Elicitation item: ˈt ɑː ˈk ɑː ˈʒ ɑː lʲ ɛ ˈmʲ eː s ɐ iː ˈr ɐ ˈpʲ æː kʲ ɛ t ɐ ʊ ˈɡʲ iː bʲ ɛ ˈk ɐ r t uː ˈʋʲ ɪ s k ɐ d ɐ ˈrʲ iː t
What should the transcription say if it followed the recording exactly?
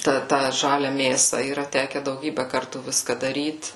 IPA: ˈt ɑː ˈt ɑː ˈʒ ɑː lʲ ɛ ˈmʲ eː s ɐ iː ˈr ɐ ˈtʲ æː kʲ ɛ d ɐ ʊ ˈɡʲ iː bʲ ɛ ˈk ɐ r t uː ˈʋʲ ɪ s k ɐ d ɐ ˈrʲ iː t